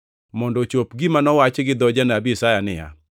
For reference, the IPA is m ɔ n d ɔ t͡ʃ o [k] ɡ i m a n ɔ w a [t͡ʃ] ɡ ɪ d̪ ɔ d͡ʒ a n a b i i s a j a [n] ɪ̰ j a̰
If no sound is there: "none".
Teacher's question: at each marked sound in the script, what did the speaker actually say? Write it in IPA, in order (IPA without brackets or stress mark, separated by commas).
p, t͡ʃ, n